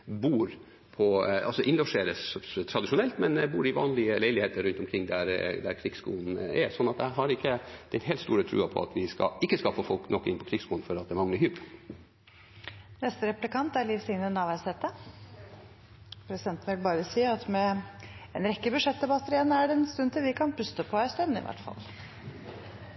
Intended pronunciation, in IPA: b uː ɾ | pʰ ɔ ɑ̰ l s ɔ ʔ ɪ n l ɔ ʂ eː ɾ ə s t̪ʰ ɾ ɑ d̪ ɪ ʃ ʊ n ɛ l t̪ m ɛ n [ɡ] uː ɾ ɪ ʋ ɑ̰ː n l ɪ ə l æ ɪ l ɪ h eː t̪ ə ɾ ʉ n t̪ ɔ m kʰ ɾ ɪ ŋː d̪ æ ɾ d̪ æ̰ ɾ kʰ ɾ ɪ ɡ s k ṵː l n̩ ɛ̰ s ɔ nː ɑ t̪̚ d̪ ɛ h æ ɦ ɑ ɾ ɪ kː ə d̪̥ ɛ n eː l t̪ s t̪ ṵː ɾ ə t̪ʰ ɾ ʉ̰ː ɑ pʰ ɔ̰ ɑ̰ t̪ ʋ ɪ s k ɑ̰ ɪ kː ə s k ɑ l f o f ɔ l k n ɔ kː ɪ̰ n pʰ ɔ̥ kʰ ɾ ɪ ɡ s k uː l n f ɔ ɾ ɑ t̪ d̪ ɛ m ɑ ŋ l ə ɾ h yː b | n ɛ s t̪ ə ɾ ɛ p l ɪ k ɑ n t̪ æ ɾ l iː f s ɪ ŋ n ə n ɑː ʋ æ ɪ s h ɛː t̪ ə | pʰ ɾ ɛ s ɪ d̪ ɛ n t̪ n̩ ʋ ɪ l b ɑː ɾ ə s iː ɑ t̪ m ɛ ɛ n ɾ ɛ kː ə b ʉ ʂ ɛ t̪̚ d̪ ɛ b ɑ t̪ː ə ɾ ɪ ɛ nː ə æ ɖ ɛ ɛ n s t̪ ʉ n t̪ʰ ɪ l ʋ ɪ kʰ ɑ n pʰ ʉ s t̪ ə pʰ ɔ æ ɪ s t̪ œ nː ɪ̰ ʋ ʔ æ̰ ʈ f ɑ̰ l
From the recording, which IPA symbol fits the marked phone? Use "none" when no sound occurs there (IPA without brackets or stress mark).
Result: b